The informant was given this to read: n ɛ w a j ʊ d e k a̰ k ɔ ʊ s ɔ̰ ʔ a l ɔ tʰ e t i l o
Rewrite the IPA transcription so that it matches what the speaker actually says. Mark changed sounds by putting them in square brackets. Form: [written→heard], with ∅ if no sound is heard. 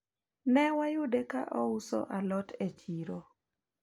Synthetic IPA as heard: n ɛ w a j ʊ d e k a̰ [k→ʔ] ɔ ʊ s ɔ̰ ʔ a l ɔ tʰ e [t→t͡ʃ] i [l→ɾ] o